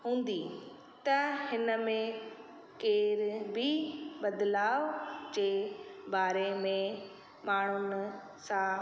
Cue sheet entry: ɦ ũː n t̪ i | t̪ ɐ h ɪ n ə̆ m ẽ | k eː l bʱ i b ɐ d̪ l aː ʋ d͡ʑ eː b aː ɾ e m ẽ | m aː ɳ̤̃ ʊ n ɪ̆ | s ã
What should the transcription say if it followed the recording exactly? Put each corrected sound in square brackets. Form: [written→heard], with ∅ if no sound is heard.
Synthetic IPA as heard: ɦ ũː n [t̪→d̪] i | t̪ ɐ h ɪ n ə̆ m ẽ | k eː [l→ɾ] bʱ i b ɐ d̪ l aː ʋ d͡ʑ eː b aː ɾ e m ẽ | m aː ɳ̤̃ ʊ n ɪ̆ | s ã